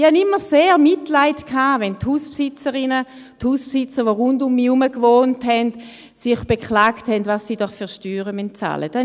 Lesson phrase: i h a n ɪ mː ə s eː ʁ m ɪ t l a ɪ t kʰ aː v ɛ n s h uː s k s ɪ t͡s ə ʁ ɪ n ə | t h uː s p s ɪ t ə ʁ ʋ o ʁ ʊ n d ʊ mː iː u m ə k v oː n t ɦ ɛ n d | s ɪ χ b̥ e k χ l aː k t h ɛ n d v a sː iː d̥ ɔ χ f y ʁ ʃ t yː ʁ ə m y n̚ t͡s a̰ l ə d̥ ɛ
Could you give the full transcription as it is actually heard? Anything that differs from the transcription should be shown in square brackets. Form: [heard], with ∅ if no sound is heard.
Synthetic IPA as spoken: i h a n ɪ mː ə s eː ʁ m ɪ t l a ɪ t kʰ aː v ɛ n [t] h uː s [p] s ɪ t͡s ə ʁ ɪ n ə | t h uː s p s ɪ [t͡s] ə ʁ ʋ o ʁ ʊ n d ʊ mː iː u m ə k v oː n t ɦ ɛ n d | s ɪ χ b̥ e k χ l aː k t h ɛ n d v a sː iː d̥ ɔ χ f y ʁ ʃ t yː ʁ ə m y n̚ t͡s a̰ l ə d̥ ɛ